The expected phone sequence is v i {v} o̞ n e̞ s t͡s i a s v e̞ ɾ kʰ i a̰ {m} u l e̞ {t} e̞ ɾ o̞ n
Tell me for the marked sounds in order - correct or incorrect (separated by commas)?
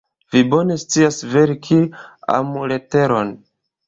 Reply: incorrect, correct, correct